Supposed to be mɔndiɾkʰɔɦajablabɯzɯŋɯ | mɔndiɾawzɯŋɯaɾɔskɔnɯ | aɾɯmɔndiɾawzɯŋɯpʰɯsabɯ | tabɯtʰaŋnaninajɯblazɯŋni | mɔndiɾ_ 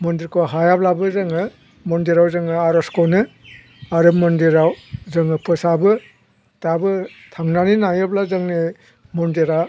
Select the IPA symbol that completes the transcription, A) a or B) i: A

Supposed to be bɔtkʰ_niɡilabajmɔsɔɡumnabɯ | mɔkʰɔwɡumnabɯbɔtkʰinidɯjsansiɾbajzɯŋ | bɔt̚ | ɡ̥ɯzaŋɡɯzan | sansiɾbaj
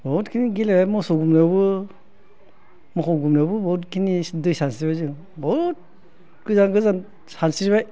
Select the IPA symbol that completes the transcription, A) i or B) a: A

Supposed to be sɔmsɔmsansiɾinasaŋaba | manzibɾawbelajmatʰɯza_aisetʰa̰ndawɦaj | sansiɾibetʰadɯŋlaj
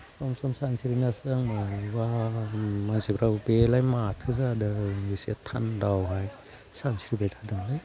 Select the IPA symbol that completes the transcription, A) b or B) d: B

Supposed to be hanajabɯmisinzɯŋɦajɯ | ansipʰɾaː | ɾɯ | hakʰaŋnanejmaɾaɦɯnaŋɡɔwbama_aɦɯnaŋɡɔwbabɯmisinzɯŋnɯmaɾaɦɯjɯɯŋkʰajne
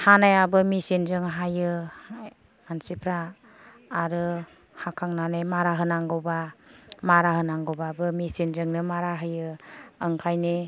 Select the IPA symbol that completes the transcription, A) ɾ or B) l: A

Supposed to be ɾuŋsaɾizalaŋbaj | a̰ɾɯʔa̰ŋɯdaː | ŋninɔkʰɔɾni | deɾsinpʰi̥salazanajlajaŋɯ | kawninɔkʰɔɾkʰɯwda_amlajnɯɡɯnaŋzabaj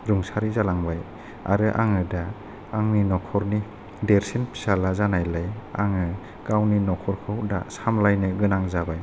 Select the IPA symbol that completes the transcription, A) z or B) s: B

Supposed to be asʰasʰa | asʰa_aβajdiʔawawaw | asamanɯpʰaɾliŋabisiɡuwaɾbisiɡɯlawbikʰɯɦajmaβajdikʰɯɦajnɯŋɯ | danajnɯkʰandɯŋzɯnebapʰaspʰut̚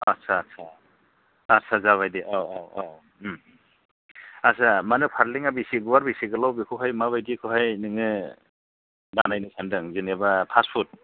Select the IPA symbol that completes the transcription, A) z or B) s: A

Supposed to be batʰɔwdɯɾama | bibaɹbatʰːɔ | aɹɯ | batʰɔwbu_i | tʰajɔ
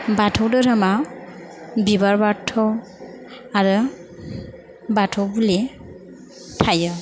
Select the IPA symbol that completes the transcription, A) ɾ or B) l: B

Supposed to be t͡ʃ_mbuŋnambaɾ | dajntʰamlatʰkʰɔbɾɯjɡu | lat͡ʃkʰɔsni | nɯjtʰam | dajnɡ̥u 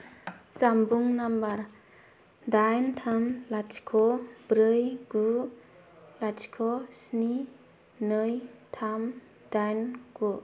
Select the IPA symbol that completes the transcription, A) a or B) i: A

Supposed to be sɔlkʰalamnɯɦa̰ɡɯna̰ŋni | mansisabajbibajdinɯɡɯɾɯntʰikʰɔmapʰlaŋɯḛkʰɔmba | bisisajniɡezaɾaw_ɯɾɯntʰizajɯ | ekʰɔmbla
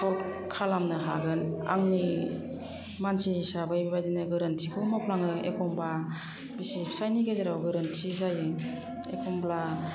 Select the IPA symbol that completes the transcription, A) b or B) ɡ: B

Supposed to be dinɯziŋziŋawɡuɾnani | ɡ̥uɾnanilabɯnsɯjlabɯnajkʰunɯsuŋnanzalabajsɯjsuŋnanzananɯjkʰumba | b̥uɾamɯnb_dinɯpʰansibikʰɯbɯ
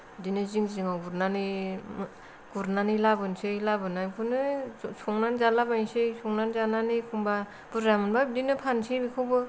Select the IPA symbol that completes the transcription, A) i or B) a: B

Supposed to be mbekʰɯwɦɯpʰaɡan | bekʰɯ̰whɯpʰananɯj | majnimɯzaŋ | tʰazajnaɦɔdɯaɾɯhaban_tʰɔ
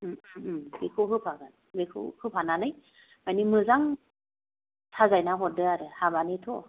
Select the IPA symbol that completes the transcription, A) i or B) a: A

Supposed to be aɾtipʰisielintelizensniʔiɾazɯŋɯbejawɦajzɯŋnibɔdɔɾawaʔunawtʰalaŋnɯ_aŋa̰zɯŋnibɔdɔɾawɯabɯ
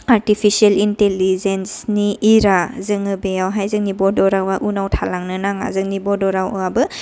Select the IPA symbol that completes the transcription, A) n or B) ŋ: A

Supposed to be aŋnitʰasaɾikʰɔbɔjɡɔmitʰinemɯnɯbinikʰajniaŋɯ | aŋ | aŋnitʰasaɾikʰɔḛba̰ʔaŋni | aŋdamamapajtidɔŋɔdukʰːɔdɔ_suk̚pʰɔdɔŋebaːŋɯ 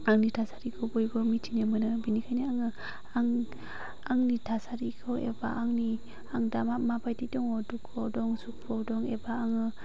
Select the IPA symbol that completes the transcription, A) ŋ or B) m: A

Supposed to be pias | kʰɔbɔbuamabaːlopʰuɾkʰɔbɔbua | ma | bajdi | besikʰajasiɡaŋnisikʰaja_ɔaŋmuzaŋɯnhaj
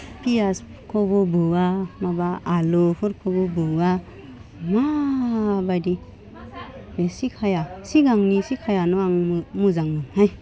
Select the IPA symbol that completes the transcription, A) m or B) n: B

